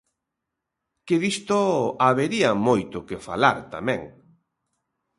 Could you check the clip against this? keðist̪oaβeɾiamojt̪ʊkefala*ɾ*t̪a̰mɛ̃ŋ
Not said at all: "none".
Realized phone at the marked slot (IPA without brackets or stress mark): ɾ